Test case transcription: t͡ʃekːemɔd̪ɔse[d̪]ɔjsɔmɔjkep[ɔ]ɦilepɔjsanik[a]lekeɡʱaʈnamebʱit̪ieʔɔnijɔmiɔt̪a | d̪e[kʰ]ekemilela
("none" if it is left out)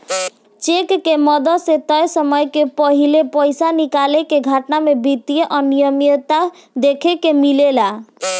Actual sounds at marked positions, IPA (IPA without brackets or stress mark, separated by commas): t̪, ɔ, a, kʰ